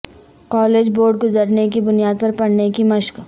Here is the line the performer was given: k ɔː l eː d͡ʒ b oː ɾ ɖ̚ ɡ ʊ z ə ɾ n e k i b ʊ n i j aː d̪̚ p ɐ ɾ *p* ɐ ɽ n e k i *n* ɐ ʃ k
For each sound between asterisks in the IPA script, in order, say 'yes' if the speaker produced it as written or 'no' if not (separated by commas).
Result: yes, no